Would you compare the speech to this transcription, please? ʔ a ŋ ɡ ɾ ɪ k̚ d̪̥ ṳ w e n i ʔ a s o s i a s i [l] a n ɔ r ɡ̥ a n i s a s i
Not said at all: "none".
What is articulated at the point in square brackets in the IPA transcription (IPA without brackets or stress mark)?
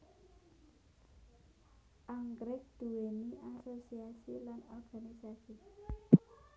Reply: l